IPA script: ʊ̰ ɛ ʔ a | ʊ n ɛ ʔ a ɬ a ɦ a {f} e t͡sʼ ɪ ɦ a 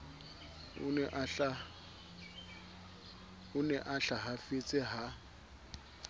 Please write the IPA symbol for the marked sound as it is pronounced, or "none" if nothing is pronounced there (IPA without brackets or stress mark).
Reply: f